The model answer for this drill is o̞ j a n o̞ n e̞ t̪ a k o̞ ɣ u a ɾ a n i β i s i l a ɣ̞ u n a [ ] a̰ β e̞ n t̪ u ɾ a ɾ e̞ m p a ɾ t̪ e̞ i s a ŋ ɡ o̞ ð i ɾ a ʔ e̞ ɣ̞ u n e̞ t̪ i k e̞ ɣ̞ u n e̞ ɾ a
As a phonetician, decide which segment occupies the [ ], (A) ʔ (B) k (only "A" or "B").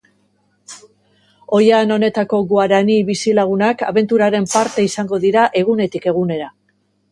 B